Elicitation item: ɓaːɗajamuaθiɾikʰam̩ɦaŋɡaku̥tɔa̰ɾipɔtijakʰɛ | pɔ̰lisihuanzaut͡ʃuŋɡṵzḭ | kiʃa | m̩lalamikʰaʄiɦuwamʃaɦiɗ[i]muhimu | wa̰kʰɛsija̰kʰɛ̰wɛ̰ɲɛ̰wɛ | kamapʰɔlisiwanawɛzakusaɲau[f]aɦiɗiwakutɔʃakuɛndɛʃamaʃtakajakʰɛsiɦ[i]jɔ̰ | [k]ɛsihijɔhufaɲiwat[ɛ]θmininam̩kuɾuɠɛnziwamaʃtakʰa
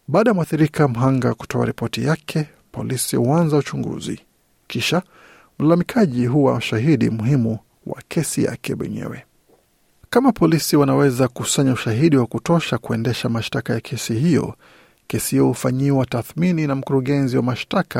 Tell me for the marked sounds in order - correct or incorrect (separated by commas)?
correct, incorrect, correct, correct, incorrect